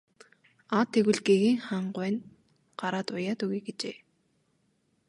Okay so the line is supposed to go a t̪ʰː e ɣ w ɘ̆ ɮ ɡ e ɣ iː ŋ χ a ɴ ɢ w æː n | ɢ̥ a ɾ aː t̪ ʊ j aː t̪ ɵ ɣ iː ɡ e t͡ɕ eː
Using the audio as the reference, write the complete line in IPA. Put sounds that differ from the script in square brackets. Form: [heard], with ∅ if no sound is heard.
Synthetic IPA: a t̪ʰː e ɣ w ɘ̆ ɮ ɡ e ɣ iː ŋ χ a ɴ ɢ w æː n | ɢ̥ a ɾ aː t̪ ʊ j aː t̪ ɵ ɣ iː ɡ e t͡ɕ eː